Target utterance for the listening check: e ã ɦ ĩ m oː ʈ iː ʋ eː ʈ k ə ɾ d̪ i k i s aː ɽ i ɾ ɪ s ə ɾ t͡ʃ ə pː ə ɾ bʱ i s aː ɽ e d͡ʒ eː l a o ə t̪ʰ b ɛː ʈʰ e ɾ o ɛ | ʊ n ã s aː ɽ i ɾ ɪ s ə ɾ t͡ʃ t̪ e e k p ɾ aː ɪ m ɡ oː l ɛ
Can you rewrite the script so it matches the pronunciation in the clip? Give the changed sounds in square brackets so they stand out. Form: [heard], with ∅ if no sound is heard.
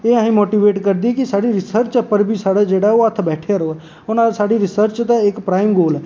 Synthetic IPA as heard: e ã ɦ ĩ m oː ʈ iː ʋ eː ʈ k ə ɾ d̪ i k i s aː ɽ i ɾ ɪ s ə ɾ t͡ʃ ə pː ə ɾ bʱ i s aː ɽ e d͡ʒ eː [ɽ] a o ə t̪ʰ b ɛː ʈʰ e ɾ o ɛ | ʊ n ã s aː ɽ i ɾ ɪ s ə ɾ t͡ʃ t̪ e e k p ɾ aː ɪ m ɡ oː l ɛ